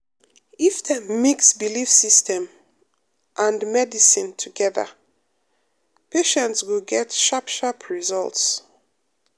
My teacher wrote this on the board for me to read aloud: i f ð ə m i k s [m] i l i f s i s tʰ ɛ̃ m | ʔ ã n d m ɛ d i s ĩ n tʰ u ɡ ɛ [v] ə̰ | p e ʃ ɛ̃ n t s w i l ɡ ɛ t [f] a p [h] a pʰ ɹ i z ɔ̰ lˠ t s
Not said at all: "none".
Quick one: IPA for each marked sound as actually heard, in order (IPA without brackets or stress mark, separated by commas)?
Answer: b, ð, ʃ, ʃ